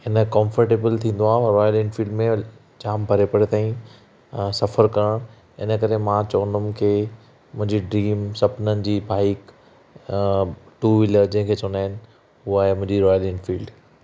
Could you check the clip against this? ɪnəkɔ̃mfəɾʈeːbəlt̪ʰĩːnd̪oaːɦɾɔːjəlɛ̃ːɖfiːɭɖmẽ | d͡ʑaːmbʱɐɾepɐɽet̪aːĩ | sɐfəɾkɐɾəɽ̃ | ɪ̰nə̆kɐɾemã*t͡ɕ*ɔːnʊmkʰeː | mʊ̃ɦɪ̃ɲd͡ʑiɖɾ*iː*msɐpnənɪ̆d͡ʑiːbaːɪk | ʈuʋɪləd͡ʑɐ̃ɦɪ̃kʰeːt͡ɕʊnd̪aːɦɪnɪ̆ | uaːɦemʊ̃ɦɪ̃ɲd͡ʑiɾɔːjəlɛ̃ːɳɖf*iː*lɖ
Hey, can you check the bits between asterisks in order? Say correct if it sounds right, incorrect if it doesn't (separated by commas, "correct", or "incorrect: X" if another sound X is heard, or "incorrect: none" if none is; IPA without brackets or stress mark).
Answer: correct, correct, correct